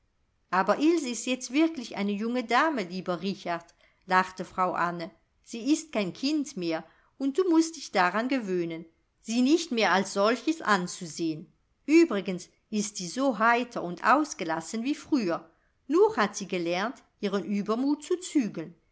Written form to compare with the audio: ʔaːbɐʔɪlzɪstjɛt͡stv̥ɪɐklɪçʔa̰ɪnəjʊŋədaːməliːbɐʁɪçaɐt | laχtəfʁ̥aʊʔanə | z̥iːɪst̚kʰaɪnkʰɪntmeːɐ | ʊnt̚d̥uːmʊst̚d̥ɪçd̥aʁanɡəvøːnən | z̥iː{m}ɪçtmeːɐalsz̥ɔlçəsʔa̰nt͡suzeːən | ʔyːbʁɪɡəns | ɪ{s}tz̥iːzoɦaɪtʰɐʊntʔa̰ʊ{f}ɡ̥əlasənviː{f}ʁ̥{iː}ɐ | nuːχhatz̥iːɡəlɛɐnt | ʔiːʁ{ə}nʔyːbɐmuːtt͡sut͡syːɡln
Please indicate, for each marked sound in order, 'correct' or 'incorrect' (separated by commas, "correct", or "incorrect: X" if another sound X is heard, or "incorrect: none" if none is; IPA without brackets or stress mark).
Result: incorrect: n, correct, incorrect: s, correct, incorrect: yː, correct